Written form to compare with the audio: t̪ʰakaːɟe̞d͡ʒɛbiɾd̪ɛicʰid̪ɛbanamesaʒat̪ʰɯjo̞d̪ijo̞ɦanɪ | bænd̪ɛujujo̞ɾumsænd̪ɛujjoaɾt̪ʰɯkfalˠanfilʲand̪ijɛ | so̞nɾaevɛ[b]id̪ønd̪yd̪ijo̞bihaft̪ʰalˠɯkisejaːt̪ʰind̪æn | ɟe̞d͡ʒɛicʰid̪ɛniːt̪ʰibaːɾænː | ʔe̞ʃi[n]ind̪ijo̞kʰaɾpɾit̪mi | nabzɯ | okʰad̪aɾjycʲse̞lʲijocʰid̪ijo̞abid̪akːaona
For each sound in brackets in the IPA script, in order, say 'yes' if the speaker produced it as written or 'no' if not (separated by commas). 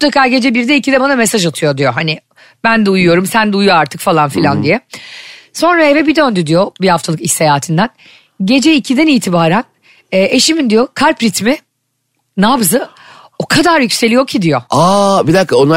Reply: yes, no